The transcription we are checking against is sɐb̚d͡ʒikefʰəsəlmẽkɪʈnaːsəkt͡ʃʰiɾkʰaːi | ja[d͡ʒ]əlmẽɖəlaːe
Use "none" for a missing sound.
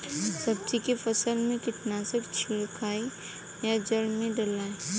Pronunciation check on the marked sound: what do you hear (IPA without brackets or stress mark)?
d͡ʒ